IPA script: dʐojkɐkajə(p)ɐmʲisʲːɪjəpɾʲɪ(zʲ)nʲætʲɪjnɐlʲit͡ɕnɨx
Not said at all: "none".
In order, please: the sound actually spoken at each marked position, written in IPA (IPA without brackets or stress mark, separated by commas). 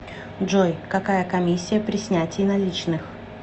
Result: k, sʲ